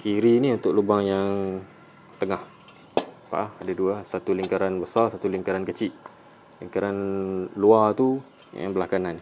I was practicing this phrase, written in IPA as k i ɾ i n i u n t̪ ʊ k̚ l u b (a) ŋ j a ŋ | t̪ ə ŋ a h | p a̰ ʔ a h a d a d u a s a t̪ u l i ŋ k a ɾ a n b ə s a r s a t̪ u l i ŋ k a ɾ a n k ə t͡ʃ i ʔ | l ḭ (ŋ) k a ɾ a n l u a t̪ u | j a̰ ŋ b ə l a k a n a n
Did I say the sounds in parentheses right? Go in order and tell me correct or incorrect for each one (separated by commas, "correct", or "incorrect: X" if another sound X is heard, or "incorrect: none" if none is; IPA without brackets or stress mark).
correct, correct